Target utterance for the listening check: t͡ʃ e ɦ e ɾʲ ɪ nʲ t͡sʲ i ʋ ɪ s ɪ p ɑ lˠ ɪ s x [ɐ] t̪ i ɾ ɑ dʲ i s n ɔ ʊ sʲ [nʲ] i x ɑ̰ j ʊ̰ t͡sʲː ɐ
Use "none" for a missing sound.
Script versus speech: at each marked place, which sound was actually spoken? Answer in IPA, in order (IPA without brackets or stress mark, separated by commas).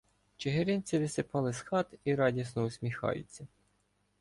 ɑ, mʲ